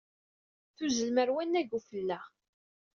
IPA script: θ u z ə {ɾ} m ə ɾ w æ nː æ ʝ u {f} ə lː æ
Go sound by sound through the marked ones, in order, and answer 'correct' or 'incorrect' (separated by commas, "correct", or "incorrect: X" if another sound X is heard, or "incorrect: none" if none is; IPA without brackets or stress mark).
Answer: incorrect: l, correct